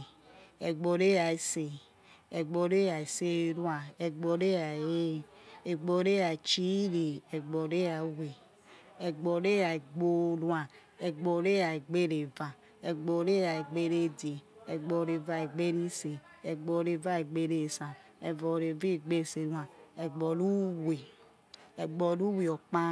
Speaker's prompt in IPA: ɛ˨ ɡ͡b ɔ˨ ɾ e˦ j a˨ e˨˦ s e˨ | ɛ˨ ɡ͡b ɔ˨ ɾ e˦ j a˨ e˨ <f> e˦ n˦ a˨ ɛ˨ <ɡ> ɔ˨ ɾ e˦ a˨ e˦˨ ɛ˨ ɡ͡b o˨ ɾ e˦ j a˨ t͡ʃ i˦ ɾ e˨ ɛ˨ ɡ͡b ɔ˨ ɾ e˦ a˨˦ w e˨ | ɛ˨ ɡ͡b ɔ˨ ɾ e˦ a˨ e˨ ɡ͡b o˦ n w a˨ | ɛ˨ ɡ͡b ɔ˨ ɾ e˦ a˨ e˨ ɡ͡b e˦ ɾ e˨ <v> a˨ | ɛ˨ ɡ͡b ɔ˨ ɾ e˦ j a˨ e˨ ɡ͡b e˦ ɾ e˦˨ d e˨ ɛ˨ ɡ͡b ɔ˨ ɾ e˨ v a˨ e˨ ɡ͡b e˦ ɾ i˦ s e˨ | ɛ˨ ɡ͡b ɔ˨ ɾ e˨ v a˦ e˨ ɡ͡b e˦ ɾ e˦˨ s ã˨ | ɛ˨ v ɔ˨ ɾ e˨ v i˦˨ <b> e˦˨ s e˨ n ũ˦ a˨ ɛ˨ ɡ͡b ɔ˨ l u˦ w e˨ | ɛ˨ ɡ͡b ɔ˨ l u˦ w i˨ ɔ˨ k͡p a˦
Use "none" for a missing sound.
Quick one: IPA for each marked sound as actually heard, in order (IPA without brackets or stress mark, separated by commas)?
s, ɡ͡b, v, ɡ͡b